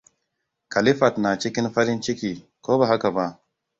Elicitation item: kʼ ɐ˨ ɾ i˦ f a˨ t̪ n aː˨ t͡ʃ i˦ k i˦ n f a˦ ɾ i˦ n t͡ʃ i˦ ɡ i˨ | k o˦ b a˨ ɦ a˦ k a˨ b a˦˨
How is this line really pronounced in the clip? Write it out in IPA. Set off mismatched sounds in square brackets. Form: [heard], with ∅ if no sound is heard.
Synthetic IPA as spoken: [k] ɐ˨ [l] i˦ f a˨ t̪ n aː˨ t͡ʃ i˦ k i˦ n f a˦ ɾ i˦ n t͡ʃ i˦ [k] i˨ | k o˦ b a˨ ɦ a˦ k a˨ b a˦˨

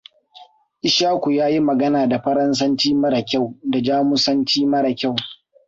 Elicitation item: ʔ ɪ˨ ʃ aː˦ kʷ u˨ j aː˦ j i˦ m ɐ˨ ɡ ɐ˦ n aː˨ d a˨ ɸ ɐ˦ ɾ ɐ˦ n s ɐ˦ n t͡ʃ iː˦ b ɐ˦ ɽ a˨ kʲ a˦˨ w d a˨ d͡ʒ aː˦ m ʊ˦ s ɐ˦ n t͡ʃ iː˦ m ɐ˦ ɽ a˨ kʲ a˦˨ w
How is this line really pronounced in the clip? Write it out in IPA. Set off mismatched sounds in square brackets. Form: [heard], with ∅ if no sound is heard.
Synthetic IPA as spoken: ʔ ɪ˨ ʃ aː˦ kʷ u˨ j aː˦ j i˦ m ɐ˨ ɡ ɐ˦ n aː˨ d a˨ ɸ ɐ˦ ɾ ɐ˦ n s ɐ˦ n t͡ʃ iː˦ [m] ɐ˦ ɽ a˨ kʲ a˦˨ w d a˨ d͡ʒ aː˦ m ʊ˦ s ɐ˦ n t͡ʃ iː˦ m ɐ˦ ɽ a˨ kʲ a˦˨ w

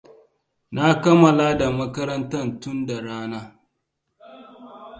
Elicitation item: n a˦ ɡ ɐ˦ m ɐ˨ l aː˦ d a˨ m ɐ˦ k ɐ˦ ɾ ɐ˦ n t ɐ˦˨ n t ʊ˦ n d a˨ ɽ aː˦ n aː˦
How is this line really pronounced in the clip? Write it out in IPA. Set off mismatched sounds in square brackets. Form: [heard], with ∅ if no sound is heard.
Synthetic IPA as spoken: n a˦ [k] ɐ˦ m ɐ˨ l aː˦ d a˨ m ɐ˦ k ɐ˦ ɾ ɐ˦ n t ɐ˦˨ n t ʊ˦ n d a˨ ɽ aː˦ n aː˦

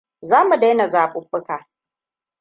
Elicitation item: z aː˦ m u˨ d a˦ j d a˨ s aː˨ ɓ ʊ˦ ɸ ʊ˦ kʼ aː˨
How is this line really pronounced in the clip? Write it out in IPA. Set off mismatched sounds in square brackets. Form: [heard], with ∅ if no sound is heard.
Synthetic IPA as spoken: z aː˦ m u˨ d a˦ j [n] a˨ [z] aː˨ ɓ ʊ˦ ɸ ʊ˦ [k] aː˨

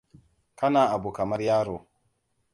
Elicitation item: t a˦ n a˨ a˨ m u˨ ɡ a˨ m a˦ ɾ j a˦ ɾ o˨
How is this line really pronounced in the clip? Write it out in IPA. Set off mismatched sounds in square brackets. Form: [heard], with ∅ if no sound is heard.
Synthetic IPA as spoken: [k] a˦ n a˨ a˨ [b] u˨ [k] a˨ m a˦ ɾ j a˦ ɾ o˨

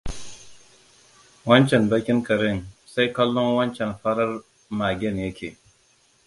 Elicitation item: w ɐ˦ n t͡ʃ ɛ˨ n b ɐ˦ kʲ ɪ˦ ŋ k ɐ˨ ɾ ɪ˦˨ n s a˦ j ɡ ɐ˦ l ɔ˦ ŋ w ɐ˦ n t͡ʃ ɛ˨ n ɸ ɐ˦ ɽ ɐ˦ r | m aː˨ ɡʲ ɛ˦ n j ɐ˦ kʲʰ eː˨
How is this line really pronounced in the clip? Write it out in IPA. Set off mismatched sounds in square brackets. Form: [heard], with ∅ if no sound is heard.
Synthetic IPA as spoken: w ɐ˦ n t͡ʃ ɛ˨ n b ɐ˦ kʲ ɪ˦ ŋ k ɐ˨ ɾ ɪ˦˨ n s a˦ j [k] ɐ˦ [lː] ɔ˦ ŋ w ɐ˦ n t͡ʃ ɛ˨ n ɸ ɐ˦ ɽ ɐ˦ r | m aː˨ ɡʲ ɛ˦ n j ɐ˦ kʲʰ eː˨

